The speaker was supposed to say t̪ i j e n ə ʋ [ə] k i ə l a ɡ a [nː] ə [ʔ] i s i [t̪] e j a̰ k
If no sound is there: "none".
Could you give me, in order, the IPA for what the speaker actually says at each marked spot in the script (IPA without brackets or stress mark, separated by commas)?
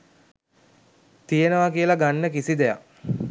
a, nː, k, d̪